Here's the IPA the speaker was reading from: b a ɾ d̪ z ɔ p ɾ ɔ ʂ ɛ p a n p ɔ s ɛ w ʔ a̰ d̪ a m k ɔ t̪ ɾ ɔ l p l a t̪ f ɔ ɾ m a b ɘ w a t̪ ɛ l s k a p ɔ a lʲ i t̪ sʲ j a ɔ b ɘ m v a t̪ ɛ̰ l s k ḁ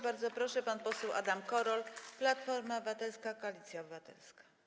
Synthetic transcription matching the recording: b a ɾ d̪ z ɔ p ɾ ɔ ʂ ɛ p a n p ɔ s ɛ w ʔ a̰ d̪ a m k ɔ ɾ ɔ l p l a t̪ f ɔ ɾ m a b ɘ v a t̪ ɛ l s k a k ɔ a lʲ i t̪ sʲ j a ɔ b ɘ v a t̪ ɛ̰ l s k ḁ